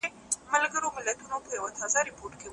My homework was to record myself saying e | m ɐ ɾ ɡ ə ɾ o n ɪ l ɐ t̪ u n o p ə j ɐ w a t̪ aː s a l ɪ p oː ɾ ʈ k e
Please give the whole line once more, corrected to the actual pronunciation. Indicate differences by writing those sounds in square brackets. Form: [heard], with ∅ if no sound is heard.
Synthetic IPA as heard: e | m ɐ [l] ɡ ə ɾ o [m] ɪ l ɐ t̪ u n o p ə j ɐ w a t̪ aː [z] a [ɾ] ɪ p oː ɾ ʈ k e